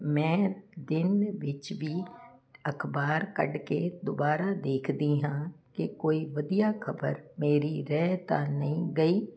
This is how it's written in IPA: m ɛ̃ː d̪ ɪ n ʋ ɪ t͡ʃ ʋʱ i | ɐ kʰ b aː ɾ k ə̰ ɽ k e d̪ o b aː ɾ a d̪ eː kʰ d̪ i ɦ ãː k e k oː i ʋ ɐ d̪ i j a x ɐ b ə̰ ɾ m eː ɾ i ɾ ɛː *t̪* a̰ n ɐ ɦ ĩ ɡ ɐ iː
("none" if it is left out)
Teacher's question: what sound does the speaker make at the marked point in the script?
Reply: t̪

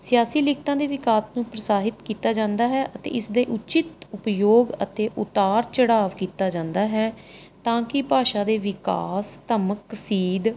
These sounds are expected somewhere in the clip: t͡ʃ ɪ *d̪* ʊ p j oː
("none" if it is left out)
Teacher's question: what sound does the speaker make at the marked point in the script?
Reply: t̪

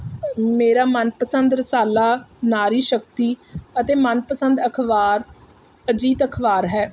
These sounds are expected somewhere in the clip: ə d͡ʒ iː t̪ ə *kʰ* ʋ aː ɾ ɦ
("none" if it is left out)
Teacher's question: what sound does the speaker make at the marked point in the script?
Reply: kʰ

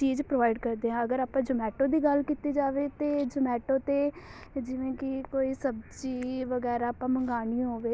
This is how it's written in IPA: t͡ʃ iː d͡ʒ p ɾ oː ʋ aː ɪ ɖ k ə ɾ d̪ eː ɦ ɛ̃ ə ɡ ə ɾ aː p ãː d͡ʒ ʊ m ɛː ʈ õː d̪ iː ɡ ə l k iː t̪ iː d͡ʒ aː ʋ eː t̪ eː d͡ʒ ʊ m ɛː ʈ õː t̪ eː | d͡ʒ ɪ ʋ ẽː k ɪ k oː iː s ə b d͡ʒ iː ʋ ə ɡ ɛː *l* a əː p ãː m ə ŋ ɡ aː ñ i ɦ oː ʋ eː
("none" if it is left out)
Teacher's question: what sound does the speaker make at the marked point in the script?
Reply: ɾ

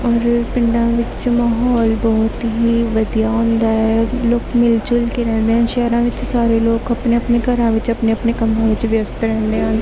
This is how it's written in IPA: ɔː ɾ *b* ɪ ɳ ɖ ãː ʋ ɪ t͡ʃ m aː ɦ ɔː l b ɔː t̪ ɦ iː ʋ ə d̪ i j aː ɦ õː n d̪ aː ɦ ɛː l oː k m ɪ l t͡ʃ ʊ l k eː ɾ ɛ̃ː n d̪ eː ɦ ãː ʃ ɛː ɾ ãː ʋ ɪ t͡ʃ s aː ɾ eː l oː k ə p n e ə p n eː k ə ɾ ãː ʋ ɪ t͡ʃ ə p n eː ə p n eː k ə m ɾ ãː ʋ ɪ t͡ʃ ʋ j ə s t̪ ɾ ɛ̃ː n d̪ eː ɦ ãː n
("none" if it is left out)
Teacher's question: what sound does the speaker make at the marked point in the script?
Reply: p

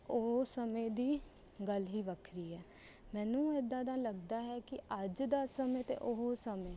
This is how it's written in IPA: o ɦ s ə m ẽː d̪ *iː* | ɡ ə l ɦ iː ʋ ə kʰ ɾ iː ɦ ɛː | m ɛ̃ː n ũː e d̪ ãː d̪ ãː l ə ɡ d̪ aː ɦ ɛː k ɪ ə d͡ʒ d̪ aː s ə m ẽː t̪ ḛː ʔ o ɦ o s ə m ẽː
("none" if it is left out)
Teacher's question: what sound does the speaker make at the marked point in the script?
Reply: iː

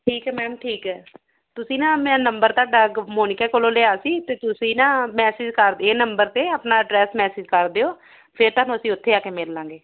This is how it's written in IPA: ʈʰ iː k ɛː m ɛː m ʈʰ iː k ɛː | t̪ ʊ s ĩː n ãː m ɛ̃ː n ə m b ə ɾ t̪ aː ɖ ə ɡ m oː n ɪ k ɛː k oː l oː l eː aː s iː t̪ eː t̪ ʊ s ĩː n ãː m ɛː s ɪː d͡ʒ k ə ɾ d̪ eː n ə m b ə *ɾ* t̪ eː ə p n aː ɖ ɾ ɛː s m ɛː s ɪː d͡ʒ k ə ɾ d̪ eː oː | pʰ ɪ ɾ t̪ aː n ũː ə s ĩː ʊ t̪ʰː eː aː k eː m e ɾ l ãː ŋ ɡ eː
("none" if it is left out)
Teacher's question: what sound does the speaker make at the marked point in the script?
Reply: ɾ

